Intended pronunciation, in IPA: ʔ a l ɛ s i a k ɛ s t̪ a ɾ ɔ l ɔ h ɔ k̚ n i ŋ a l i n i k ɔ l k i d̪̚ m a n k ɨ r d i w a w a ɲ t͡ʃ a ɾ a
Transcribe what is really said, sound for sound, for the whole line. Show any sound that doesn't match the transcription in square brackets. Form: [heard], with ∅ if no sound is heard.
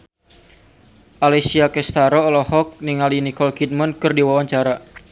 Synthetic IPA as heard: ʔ a l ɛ s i a k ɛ s t̪ a ɾ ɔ l ɔ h ɔ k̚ n i ŋ a l i n i k ɔ l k i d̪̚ m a n k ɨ r d i w a w a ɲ t͡ʃ a ɾ a